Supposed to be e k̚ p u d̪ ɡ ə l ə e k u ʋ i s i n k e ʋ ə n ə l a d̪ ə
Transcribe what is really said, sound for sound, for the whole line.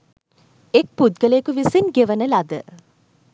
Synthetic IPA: e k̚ p u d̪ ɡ ə l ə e k u ʋ i s i n ɡ e ʋ ə n ə l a d̪ ə